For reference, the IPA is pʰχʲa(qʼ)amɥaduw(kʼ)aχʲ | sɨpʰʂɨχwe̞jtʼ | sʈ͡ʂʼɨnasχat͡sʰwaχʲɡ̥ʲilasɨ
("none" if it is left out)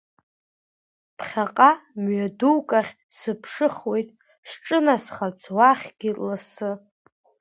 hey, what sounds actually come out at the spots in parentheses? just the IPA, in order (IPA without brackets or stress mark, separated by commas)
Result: qʼ, kʼ